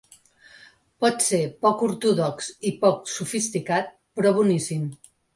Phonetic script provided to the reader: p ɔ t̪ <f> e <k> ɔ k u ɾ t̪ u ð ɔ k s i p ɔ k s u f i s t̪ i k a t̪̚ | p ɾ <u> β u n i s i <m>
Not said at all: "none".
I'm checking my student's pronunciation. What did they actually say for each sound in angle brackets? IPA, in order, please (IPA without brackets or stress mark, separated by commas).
s, p, ɔ, m